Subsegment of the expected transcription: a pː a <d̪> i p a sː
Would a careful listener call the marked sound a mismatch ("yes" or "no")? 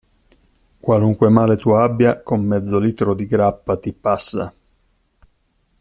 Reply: yes